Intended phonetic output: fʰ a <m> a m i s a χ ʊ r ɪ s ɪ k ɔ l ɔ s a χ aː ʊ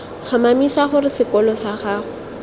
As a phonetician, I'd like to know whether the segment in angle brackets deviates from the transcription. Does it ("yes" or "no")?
no